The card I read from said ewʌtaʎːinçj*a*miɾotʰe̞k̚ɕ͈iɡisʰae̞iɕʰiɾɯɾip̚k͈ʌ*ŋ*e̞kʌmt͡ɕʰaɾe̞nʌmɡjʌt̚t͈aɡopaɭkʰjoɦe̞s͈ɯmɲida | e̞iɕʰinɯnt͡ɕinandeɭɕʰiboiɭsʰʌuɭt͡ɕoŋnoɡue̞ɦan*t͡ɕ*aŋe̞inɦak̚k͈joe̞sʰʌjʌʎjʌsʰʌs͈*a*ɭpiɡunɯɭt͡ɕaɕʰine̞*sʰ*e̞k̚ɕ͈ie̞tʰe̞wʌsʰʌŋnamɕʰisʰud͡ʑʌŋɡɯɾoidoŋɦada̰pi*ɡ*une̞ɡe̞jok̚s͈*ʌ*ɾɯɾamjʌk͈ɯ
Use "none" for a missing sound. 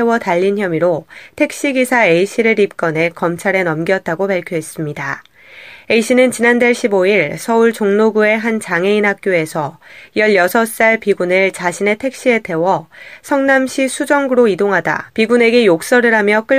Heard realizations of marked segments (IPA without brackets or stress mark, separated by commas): ʌ, n, t͡ɕ, a, tʰ, ɡ, ʌ